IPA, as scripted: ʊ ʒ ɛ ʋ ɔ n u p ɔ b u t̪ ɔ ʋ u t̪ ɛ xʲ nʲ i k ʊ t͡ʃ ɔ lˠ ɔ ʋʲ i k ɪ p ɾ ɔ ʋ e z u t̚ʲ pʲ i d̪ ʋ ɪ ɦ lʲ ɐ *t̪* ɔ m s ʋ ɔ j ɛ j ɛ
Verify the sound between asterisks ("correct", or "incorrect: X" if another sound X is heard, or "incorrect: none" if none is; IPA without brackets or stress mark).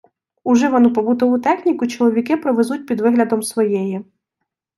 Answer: incorrect: d̪